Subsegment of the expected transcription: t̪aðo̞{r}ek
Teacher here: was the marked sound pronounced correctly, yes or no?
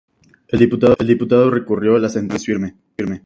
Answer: yes